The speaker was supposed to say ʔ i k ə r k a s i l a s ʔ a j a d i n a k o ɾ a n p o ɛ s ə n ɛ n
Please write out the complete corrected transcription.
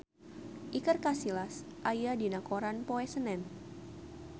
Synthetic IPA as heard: ʔ i k ə r k a s i l a s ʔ a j a d i n a k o ɾ a n p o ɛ s ə n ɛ n